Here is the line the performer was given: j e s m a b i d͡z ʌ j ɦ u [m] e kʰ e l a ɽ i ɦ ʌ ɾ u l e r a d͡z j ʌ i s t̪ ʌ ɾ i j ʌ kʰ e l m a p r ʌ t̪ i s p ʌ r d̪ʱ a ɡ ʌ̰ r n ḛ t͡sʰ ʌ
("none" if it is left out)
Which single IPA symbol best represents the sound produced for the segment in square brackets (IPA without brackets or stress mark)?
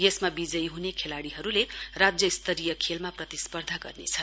n